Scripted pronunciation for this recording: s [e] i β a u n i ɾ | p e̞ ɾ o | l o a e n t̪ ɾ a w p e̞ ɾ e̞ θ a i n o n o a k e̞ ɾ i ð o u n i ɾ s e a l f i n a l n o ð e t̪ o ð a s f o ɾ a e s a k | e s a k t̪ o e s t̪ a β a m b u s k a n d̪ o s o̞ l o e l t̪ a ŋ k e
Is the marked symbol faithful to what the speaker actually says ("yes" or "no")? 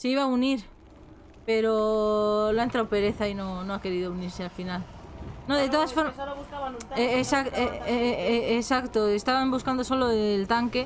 yes